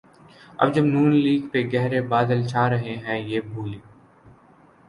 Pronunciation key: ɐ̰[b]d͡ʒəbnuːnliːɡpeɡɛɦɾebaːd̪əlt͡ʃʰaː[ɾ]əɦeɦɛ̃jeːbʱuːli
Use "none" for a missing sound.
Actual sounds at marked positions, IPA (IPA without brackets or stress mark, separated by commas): b, ɾ